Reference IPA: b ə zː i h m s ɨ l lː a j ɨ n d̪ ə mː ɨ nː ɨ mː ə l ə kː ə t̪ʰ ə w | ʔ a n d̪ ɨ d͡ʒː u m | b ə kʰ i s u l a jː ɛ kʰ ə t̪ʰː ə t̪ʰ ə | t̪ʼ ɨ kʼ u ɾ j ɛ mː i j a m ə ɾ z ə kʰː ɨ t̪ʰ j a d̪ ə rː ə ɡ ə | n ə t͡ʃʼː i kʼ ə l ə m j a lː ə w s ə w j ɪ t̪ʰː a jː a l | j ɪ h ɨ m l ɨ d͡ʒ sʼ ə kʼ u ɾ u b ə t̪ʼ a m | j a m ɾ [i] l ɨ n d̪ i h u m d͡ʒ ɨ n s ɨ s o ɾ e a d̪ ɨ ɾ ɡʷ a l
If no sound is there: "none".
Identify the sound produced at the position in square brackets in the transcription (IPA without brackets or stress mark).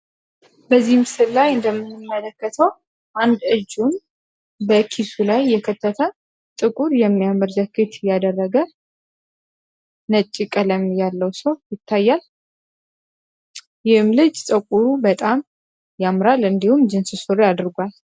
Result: a